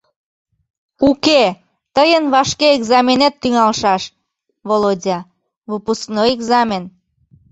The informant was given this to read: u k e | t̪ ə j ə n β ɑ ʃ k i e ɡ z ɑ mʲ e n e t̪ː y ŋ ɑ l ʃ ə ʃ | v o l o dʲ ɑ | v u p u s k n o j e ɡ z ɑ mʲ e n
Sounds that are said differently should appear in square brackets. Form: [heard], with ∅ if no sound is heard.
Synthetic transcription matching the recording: u k e | t̪ ə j ə n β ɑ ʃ k [e] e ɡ z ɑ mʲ e n e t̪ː y ŋ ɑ l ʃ [ɑ] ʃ | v o l o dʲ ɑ | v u p u s k n o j e ɡ z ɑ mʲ e n